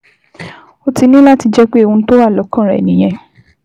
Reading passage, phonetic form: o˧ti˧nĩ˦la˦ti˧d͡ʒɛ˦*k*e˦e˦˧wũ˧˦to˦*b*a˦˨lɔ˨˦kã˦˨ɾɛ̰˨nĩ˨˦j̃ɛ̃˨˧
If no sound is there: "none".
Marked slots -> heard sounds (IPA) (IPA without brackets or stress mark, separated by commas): k͡p, w